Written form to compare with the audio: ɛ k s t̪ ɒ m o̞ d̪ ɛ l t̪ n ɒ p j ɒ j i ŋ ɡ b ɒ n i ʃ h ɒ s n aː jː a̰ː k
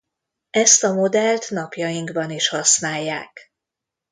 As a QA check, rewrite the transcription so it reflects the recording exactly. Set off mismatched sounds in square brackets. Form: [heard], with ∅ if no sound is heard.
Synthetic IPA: ɛ [∅] s t̪ ɒ m o̞ d̪ ɛ l t̪ n ɒ p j ɒ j i ŋ ɡ b ɒ n i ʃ h ɒ s n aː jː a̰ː k

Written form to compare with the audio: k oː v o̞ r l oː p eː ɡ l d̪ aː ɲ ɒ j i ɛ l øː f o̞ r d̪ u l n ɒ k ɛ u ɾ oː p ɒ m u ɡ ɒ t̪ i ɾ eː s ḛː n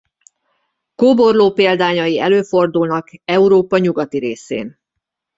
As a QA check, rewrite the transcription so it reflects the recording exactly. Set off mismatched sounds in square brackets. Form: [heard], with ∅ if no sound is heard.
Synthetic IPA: k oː [b] o̞ r l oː p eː [∅] l d̪ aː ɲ ɒ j i ɛ l øː f o̞ r d̪ u l n ɒ k ɛ u ɾ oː p ɒ [ɲ] u ɡ ɒ t̪ i ɾ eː s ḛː n

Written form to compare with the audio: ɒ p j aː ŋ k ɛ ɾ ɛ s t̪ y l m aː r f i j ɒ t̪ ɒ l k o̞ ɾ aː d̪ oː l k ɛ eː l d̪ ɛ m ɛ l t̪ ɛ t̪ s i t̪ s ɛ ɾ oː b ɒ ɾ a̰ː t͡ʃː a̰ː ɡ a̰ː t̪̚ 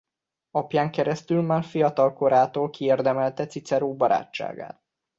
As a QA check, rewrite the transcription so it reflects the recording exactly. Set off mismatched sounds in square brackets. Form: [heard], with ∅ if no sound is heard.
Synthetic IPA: ɒ p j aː ŋ k ɛ ɾ ɛ s t̪ y l m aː r f i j ɒ t̪ ɒ l k o̞ ɾ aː [t̪] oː l k [i] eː [r] d̪ ɛ m ɛ l t̪ ɛ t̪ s i t̪ s ɛ ɾ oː b ɒ ɾ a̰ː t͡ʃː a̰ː ɡ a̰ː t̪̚

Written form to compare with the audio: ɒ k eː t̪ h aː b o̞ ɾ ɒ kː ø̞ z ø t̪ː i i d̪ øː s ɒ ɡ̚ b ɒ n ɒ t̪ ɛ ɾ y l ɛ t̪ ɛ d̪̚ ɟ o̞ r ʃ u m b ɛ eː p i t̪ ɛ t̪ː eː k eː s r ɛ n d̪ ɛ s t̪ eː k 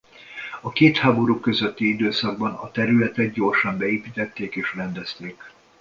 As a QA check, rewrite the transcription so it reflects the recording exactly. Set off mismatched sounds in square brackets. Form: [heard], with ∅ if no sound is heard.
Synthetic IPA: ɒ k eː t̪ h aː b o̞ ɾ [u] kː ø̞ z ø t̪ː i i d̪ øː s ɒ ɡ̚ b ɒ n ɒ t̪ ɛ ɾ y l ɛ t̪ ɛ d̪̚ ɟ o̞ r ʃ [ɒ] m b ɛ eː p i t̪ ɛ t̪ː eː k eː [ʃ] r ɛ n d̪ ɛ s t̪ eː k

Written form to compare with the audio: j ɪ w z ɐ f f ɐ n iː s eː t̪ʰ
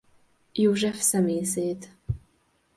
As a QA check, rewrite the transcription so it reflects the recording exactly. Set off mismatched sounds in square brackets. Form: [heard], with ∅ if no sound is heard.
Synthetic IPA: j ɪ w [ʒ] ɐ f [s] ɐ [m] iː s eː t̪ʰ

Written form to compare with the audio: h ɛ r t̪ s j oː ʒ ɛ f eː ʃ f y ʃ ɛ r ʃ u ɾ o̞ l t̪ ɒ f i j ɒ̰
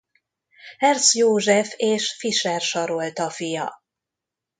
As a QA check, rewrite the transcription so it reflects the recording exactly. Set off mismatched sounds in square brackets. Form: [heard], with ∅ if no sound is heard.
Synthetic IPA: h ɛ r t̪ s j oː ʒ ɛ f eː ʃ f [i] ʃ ɛ r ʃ [ɒ] ɾ o̞ l t̪ ɒ f i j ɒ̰

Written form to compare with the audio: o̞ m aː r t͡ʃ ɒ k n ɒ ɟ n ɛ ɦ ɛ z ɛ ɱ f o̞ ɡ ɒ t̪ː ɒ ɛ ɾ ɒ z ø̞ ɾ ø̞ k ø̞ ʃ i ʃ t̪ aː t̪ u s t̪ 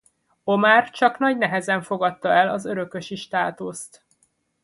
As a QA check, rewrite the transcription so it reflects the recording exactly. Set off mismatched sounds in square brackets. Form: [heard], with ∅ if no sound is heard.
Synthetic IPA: o̞ m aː r t͡ʃ ɒ k n ɒ ɟ n ɛ ɦ ɛ z ɛ ɱ f o̞ ɡ ɒ t̪ː ɒ ɛ [l] ɒ z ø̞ ɾ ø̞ k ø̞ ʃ i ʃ t̪ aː t̪ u s t̪

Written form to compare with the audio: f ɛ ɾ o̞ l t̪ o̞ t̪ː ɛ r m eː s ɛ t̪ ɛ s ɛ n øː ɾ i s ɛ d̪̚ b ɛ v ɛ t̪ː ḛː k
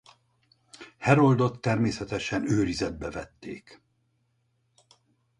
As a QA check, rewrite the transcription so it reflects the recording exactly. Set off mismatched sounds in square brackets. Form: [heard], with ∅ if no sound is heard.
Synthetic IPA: [h] ɛ ɾ o̞ l [d̪] o̞ t̪ː ɛ r m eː s ɛ t̪ ɛ [ʃ] ɛ n øː ɾ i [z] ɛ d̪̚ b ɛ v ɛ t̪ː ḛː k

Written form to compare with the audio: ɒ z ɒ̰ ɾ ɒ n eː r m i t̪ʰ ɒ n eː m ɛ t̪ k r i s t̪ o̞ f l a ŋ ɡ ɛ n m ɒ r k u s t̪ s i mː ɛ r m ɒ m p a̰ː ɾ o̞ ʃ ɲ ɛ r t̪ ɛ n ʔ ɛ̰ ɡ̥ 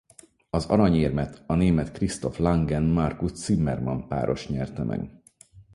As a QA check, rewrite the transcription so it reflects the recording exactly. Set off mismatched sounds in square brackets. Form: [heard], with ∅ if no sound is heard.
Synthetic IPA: ɒ z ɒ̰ ɾ ɒ [ɲ] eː r m [ɛ] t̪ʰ ɒ n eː m ɛ t̪ k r i s t̪ o̞ f l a ŋ ɡ ɛ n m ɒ r k u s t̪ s i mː ɛ r m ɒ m p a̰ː ɾ o̞ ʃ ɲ ɛ r t̪ ɛ [m] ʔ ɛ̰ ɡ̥

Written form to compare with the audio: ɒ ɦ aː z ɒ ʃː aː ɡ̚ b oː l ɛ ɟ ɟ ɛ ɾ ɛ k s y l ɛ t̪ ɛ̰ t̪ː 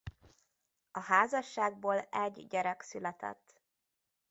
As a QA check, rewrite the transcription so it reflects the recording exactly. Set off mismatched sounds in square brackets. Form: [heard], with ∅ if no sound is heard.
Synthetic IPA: ɒ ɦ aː z ɒ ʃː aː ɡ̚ b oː l ɛ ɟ ɟ ɛ ɾ ɛ k s y l ɛ t̪ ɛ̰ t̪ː

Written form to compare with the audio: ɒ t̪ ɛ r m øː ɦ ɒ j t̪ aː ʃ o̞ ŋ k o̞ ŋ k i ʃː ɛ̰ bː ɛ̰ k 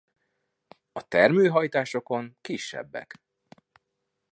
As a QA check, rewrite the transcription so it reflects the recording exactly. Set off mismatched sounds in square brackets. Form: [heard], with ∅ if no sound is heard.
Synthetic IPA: ɒ t̪ ɛ r m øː ɦ ɒ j t̪ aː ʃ o̞ [∅] k o̞ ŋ k i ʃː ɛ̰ bː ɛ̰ k

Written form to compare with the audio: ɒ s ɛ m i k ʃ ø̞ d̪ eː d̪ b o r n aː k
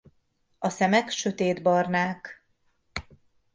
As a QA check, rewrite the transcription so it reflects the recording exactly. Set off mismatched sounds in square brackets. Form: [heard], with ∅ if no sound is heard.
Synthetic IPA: ɒ s ɛ m [ɛ] k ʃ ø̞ [t̪] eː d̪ b [ɒ] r n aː k

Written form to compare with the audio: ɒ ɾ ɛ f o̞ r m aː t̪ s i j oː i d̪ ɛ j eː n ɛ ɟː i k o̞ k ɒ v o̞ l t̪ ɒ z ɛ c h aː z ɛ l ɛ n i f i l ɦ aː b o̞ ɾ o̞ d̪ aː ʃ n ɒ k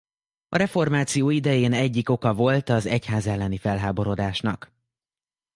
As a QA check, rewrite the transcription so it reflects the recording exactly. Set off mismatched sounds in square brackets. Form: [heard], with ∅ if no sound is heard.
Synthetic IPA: ɒ ɾ ɛ f o̞ r m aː t̪ s i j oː i d̪ ɛ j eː n ɛ ɟː i k o̞ k ɒ v o̞ l t̪ ɒ z ɛ c h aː z ɛ [lː] ɛ n i f [ɛ] l ɦ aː b o̞ ɾ o̞ d̪ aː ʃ n ɒ k

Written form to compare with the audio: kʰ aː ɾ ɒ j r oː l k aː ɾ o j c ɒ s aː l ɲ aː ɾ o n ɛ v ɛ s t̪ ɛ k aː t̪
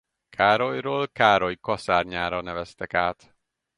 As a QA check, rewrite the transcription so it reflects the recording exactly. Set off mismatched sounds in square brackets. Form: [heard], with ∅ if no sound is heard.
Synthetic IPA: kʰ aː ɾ [o] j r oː l k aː ɾ o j [k] ɒ s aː [r] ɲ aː ɾ [ɒ] n ɛ v ɛ s t̪ ɛ k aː t̪

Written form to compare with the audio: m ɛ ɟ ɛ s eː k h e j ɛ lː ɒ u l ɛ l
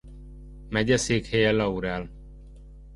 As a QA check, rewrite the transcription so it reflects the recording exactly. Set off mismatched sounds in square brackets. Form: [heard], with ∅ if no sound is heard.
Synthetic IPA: m ɛ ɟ ɛ s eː k h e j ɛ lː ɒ u [ɾ] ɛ l

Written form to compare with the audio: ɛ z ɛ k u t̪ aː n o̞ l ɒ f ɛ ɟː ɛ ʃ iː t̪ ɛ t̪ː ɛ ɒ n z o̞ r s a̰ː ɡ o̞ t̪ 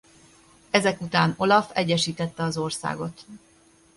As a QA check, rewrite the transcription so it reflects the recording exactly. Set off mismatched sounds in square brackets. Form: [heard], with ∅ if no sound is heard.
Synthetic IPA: ɛ z ɛ k u t̪ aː n o̞ l ɒ f ɛ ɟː ɛ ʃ iː t̪ ɛ t̪ː ɛ ɒ [∅] z o̞ r s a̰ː ɡ o̞ t̪

